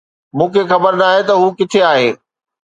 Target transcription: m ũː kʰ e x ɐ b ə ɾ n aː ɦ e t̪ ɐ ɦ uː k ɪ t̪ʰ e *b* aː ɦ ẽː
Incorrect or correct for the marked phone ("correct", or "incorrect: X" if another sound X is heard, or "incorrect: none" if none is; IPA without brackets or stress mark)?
incorrect: none